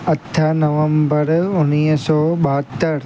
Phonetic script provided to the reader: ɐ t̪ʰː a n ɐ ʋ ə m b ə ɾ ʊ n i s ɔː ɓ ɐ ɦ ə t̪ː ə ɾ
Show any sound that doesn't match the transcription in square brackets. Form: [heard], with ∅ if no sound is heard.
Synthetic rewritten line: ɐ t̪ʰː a n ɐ ʋ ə m b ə ɾ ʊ n i s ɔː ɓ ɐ ɦ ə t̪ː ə ɾ